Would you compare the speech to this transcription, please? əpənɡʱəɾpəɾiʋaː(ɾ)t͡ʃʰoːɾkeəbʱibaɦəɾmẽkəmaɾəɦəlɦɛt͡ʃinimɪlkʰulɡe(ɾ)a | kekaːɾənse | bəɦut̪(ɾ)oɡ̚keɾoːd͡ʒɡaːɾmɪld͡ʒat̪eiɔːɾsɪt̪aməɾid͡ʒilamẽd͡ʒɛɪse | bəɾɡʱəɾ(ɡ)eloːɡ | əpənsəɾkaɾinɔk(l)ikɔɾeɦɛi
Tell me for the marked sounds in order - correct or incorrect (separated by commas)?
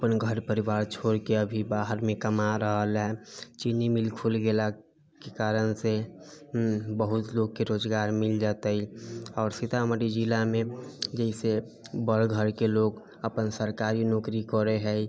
correct, incorrect, incorrect, incorrect, incorrect